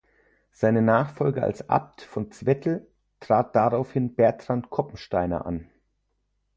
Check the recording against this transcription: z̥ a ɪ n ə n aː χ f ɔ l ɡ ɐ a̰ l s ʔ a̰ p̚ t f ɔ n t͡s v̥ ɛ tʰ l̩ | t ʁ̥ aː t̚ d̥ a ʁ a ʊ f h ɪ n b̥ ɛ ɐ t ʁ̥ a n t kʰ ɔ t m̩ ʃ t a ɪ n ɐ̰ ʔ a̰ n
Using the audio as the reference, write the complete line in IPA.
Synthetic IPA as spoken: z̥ a ɪ n ə n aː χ f ɔ l ɡ ə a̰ l s ʔ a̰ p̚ t f ɔ n t͡s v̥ ɛ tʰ l̩ | t ʁ̥ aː t̚ d̥ a ʁ a ʊ f h ɪ n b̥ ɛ ɐ t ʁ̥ a n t kʰ ɔ p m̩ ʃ t a ɪ n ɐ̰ ʔ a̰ n

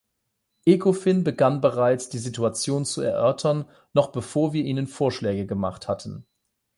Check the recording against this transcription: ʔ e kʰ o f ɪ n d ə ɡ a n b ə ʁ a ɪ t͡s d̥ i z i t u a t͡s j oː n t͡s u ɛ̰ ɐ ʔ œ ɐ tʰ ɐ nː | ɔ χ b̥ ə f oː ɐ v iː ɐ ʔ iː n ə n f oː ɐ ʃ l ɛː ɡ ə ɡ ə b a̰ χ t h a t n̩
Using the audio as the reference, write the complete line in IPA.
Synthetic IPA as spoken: ʔ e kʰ o f ɪ n b ə ɡ a n b ə ʁ a ɪ t͡s d̥ iː z i t u a t͡s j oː n t͡s u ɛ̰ ɐ ʔ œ ɐ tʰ ɐ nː | ɔ χ b̥ ə f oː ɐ v iː ɐ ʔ iː n ə n f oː ɐ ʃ l ɛː ɡ ə ɡ ə m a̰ χ t h a t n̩

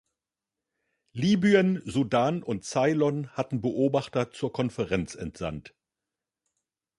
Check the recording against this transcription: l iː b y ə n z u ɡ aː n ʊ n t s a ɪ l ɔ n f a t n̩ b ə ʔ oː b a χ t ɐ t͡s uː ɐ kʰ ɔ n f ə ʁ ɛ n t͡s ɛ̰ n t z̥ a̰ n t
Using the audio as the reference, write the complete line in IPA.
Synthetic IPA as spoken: l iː b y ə n z u d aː n ʊ n t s a ɪ l ɔ n h a t n̩ b ə ʔ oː b a χ t ɐ t͡s uː ɐ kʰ ɔ n f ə ʁ ɛ n t͡s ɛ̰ n t z̥ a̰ n t

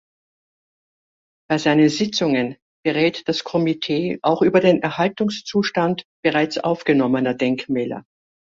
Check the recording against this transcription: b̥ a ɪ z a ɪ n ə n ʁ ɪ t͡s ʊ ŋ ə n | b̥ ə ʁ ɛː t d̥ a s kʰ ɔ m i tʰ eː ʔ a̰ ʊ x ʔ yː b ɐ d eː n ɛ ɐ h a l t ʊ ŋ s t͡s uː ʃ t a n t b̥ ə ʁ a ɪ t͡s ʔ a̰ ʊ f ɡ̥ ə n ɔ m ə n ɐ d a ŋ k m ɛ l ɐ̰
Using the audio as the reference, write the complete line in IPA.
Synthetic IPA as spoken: b̥ a ɪ z a ɪ n ə n z ɪ t͡s ʊ ŋ ə n | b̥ ə ʁ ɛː t d̥ a s kʰ ɔ m i tʰ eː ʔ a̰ ʊ x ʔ yː b ɐ d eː n ɛ ɐ h a l t ʊ ŋ s t͡s uː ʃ t a n t b̥ ə ʁ a ɪ t͡s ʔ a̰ ʊ f ɡ̥ ə n ɔ m ə n ɐ d ɛ ŋ k m ɛː l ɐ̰

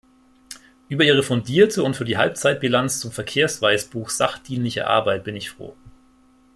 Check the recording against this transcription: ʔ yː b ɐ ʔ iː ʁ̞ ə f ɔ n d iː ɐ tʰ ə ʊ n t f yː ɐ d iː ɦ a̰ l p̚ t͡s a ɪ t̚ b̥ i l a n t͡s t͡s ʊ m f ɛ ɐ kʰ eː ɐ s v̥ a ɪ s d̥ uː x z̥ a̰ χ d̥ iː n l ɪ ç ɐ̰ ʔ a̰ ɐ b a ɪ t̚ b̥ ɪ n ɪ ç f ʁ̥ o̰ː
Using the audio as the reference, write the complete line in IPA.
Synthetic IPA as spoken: ʔ yː b ɐ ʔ iː ʁ̞ ə f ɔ n d iː ɐ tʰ ə ʊ n t f yː ɐ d iː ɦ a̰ l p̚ t͡s a ɪ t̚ b̥ i l a n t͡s t͡s ʊ m f ɛ ɐ kʰ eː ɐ s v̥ a ɪ s b̥ uː x z̥ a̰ χ d̥ iː n l ɪ ç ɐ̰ ʔ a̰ ɐ b a ɪ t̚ b̥ ɪ n ɪ ç f ʁ̥ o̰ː

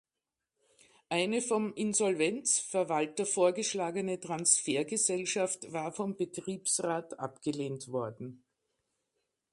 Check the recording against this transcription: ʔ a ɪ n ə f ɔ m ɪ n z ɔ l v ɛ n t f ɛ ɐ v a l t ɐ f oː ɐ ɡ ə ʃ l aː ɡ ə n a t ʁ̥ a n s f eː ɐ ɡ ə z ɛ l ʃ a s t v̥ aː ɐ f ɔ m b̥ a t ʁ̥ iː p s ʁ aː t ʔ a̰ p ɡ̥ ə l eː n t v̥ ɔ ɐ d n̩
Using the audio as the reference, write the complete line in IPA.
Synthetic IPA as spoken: ʔ a ɪ n ə f ɔ m ɪ n z ɔ l v ɛ n t͡s f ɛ ɐ v a l t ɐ f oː ɐ ɡ ə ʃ l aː ɡ ə n ə t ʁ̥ a n s f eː ɐ ɡ ə z ɛ l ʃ a f t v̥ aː ɐ f ɔ m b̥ ə t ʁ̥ iː p s ʁ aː t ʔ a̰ p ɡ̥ ə l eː n t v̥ ɔ ɐ d n̩

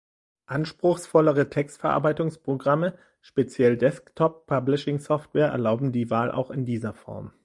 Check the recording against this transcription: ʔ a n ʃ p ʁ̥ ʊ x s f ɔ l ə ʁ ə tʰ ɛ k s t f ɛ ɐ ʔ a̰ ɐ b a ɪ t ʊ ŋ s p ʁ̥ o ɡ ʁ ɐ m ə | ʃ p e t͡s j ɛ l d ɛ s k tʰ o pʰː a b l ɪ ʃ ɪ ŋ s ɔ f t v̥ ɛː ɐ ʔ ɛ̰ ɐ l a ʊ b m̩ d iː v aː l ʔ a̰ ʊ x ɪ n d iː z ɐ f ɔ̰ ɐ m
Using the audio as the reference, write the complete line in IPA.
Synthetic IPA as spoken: ʔ a n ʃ p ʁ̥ ʊ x s f ɔ l ə ʁ ə tʰ ɛ k s t f ɛ ɐ ʔ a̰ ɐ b a ɪ t ʊ ŋ s p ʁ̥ o ɡ ʁ a m ə | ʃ p e t͡s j ɛ l d ɛ s k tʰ ɔ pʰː a b l ɪ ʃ ɪ ŋ s ɔ f t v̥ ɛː ɐ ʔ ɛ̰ ɐ l a ʊ b m̩ d iː v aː l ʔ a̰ ʊ x ɪ n d iː z ɐ f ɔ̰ ɐ m

